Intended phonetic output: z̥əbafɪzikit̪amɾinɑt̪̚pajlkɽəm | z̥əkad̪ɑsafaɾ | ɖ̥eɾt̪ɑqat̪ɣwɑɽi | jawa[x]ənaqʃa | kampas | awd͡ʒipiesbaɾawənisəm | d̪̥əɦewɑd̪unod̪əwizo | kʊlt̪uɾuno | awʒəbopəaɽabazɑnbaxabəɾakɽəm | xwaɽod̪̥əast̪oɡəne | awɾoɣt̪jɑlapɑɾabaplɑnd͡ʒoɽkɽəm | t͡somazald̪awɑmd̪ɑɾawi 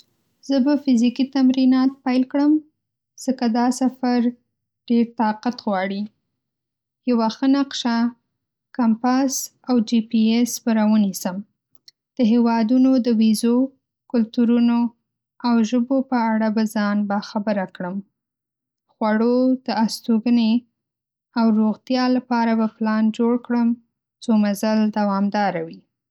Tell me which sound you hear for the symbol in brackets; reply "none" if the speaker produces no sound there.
x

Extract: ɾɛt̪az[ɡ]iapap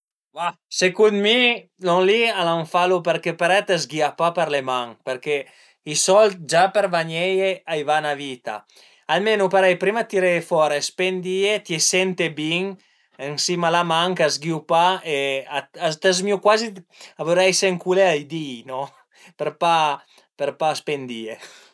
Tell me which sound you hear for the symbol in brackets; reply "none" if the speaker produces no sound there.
ɡ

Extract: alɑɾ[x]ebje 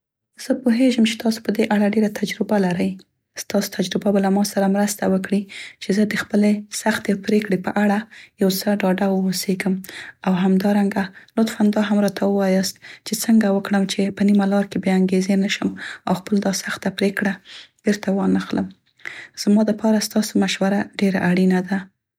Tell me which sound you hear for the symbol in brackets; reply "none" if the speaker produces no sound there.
k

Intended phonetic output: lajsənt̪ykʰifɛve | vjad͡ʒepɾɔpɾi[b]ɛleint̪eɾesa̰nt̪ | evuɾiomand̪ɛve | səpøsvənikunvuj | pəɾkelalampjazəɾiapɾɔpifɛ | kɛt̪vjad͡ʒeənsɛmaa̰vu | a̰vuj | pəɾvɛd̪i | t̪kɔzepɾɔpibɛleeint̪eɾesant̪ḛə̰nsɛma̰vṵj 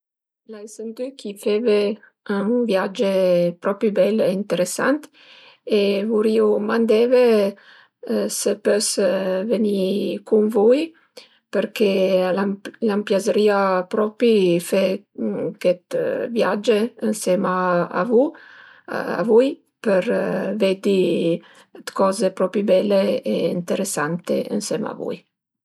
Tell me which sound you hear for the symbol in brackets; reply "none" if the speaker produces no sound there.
b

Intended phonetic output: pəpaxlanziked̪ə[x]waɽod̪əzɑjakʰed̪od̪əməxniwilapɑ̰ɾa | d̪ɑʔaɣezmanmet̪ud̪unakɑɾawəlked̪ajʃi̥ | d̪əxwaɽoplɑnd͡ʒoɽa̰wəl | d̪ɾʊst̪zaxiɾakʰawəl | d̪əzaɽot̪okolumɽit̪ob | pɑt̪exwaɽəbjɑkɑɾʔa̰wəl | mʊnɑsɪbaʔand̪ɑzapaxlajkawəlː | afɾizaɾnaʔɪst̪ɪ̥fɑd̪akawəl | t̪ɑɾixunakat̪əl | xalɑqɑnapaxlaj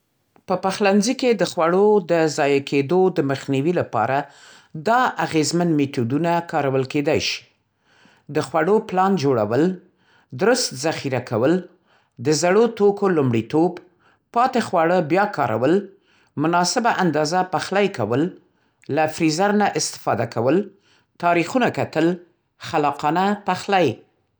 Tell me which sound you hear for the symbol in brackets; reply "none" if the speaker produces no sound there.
x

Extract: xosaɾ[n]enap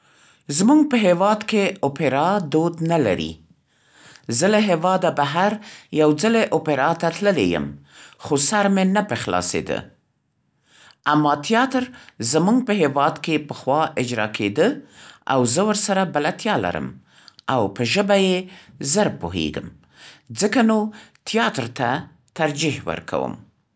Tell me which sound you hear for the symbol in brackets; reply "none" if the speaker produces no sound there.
m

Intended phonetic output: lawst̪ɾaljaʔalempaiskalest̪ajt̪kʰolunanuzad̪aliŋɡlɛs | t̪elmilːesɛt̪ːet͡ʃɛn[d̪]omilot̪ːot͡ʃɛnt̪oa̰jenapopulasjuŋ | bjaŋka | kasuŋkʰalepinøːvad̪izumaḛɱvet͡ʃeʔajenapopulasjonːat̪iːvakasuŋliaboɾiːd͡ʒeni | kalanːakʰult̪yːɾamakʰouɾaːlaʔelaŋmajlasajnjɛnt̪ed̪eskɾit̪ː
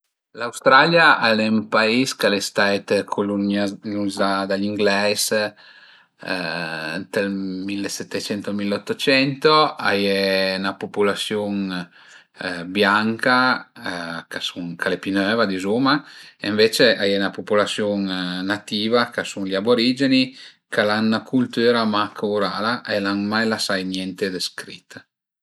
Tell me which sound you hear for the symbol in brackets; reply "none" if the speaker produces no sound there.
t̪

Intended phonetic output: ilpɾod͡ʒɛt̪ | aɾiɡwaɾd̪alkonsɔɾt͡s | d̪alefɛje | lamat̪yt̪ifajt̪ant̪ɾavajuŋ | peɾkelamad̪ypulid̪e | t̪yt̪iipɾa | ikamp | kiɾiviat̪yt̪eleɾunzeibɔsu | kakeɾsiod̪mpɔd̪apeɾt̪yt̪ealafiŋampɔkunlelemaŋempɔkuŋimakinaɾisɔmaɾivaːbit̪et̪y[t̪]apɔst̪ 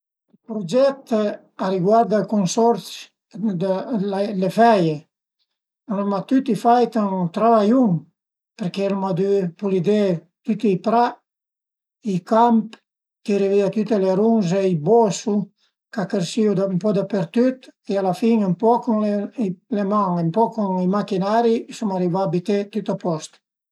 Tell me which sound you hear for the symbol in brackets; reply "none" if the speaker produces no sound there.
t̪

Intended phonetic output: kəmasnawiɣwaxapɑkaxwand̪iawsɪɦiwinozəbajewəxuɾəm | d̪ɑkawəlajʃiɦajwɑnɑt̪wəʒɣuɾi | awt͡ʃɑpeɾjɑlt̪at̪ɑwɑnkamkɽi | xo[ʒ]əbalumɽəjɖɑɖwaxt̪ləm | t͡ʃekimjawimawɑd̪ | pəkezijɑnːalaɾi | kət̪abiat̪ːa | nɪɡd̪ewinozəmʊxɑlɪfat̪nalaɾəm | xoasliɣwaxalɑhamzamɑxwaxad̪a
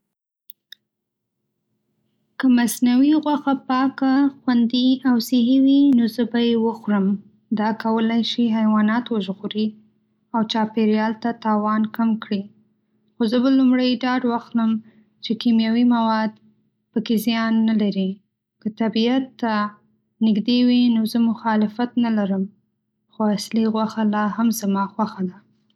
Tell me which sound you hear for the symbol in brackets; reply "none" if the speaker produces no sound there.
z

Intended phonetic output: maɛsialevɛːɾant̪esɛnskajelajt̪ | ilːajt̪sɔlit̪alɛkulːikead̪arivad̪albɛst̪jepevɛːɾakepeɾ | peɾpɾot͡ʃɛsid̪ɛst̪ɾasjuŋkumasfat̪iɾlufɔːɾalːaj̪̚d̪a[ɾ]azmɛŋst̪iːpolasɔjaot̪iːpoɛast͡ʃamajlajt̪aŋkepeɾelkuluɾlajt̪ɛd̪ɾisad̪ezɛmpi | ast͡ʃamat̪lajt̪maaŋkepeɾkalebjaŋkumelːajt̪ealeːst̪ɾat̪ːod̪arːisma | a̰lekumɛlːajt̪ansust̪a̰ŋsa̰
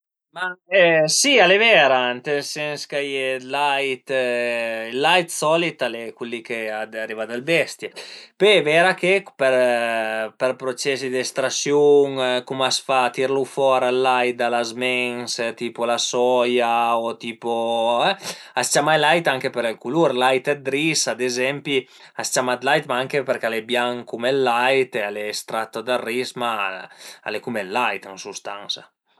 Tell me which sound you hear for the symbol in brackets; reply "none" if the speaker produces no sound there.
l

